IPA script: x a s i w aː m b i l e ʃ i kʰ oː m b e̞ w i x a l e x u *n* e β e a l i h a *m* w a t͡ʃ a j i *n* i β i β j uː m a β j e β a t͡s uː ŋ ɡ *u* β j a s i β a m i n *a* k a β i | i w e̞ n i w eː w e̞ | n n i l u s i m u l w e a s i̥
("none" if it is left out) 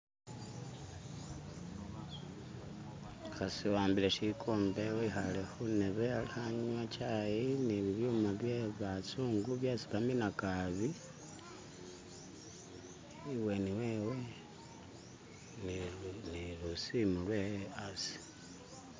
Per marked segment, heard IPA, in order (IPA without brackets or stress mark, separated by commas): n, ɲ, n, u, a